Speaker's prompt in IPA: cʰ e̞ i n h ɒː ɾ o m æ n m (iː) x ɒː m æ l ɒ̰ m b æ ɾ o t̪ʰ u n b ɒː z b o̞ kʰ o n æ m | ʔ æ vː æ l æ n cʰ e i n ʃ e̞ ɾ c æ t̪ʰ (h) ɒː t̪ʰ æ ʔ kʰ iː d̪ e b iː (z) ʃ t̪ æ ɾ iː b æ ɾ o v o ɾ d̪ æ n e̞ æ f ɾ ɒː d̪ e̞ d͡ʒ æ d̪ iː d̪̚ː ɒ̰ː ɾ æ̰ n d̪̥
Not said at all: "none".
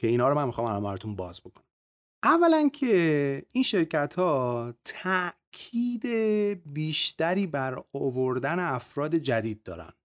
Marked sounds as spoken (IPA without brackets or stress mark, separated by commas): i, h, none